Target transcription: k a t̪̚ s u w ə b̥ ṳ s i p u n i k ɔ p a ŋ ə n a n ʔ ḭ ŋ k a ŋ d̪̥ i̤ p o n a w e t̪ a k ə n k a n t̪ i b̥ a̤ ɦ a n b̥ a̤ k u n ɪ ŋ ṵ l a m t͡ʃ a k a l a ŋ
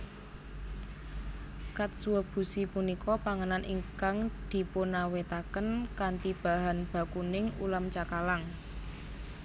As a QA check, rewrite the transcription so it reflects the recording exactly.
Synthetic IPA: k a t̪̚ s u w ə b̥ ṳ s i p u n i k ɔ p a ŋ ə n a n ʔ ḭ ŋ k a ŋ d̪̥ i̤ p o n a w e t̪ a k ə n k a n t̪ i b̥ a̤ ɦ a n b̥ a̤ k u n ɪ ŋ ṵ l a m t͡ʃ a k a l a ŋ